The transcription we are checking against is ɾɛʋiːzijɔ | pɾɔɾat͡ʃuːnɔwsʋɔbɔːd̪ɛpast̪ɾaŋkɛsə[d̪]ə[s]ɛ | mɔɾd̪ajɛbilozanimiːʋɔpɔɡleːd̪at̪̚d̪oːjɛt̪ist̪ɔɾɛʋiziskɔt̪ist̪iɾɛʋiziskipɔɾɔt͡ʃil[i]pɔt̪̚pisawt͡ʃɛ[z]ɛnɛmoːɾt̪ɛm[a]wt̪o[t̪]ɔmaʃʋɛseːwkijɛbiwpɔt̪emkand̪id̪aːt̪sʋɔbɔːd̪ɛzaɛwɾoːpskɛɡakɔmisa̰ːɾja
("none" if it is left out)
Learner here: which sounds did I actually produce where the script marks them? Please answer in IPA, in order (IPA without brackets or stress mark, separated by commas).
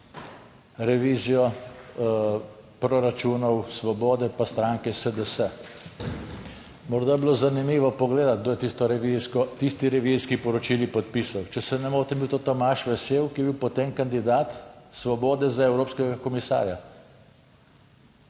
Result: d̪, s, i, s, i, t̪